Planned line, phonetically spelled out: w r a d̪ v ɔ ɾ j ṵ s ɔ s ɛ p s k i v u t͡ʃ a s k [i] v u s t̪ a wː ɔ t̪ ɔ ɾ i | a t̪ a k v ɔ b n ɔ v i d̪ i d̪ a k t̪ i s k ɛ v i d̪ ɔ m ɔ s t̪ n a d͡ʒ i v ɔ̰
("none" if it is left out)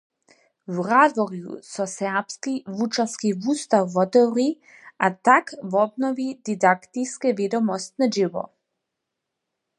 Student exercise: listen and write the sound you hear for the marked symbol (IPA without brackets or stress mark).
i